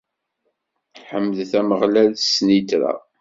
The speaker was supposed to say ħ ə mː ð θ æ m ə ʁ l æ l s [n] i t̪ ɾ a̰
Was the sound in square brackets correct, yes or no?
yes